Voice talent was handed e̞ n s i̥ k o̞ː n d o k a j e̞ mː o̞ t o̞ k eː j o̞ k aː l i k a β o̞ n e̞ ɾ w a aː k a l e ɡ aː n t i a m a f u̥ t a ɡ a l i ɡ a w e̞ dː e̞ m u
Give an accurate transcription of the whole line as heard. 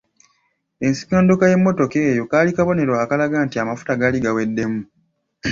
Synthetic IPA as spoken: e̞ n s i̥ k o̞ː n d o k a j e̞ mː o̞ t o̞ k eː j o̞ k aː l i k a β o̞ n e̞ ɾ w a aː k a l a ɡ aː n t i a m a f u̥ t a ɡ a l i ɡ a w e̞ dː e̞ m u